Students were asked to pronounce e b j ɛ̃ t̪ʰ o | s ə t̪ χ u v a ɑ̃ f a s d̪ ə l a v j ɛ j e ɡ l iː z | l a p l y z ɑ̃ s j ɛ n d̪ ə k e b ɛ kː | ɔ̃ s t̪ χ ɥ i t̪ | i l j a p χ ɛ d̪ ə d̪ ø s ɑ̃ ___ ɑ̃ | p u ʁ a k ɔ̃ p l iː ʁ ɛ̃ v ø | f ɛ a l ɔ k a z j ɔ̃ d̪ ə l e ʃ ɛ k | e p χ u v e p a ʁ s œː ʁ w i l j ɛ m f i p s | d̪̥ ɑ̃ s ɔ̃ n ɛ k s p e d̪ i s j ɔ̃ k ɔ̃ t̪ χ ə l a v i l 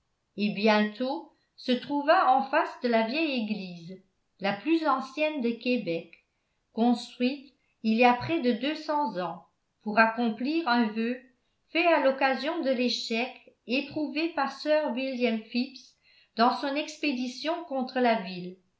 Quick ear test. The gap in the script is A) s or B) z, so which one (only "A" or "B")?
B